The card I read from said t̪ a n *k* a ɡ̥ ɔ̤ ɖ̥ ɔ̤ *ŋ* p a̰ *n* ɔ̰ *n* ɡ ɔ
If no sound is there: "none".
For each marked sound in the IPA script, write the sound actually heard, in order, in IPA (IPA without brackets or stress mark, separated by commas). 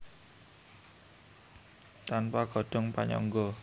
p, ŋ, ɲ, ŋ